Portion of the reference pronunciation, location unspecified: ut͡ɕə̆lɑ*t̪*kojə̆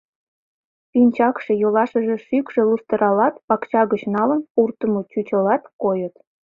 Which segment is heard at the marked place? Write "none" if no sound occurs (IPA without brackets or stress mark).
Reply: t̪